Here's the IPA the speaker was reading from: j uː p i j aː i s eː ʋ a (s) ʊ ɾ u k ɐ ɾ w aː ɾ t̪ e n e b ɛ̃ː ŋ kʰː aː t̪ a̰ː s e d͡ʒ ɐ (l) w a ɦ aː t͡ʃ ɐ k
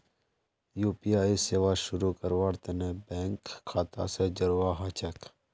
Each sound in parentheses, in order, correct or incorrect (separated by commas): incorrect, incorrect